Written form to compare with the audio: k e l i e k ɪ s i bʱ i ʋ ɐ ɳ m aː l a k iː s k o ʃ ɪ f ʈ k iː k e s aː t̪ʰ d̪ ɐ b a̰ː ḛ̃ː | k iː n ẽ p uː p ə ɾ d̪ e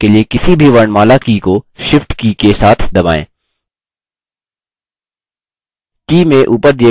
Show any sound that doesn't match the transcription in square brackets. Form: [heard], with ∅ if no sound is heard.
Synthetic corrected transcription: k e l i e k ɪ s i bʱ i ʋ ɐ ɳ m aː l a k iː [∅] k o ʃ ɪ f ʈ k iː k e s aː t̪ʰ d̪ ɐ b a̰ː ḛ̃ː | k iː [m] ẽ [ʔ] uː p ə ɾ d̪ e